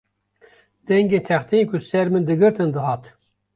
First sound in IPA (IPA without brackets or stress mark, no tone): d̪